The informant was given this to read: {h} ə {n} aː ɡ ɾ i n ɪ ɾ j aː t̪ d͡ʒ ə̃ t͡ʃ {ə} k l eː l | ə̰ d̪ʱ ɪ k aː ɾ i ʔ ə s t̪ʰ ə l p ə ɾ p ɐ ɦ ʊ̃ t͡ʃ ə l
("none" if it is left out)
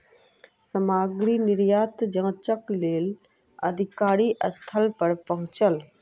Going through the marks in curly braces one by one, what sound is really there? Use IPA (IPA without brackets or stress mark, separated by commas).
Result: s, m, ə